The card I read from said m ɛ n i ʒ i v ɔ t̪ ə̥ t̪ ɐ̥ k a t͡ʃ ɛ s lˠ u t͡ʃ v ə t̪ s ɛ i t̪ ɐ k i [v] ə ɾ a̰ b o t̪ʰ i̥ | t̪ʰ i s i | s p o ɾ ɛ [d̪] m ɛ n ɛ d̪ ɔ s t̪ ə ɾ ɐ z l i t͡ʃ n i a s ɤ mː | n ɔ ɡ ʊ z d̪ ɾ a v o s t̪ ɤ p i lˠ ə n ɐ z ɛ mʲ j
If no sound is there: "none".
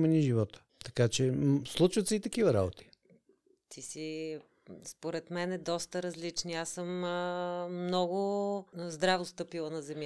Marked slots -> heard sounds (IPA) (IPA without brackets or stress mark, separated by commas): v, t̪